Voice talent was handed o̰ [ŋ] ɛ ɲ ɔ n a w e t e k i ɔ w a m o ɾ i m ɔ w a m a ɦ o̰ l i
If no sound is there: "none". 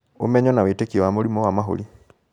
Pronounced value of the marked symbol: m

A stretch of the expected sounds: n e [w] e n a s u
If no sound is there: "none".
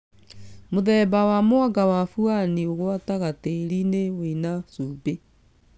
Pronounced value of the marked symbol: w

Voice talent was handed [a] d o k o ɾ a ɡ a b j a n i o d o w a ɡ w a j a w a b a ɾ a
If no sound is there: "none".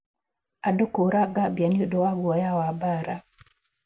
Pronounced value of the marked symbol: a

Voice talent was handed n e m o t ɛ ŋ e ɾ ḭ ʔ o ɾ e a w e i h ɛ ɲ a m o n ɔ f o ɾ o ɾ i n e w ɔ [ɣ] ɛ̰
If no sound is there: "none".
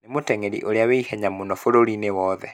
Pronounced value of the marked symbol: ð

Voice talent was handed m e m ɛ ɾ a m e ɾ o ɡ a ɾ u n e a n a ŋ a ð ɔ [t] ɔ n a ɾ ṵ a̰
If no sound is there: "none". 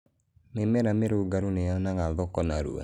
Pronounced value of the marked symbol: k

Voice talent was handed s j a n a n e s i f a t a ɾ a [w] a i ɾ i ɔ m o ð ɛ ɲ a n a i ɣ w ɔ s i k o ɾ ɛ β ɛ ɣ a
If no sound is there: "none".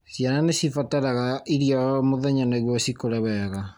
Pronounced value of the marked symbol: ɣ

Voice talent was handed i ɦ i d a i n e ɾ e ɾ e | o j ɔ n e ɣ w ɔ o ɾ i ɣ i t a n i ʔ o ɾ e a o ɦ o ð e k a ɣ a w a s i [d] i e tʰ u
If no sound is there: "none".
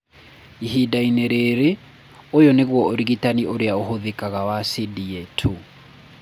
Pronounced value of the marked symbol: d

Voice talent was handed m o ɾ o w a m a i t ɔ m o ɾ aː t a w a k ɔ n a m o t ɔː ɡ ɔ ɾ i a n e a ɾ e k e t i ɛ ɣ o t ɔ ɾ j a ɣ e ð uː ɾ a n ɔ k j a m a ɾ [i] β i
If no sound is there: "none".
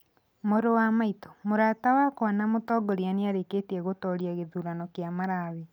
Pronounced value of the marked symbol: a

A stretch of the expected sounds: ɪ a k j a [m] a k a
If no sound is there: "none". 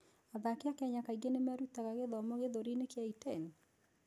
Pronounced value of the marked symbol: ɲ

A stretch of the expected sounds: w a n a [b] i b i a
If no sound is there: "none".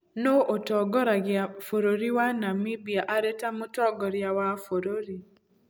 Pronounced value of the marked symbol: m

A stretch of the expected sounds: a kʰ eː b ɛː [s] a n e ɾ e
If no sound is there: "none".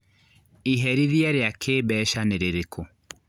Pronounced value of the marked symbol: ʃ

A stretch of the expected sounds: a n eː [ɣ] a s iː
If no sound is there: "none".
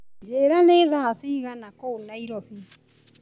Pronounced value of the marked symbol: ð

